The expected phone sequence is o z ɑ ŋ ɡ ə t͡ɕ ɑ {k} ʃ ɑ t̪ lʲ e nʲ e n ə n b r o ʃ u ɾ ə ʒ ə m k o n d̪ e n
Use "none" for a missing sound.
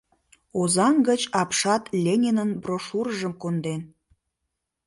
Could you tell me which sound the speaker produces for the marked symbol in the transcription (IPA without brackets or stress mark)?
p